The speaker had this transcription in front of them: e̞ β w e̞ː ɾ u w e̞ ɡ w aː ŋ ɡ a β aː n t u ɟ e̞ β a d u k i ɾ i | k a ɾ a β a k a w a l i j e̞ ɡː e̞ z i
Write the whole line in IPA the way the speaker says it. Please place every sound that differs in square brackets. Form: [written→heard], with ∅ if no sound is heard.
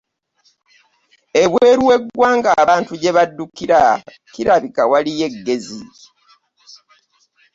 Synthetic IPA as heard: e̞ β w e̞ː ɾ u w e̞ ɡ w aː ŋ ɡ a β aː n t u ɟ e̞ β a [d→dː] u k i ɾ [i→a] | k [a→i] ɾ a β [a→i] k a w a l i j e̞ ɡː e̞ z i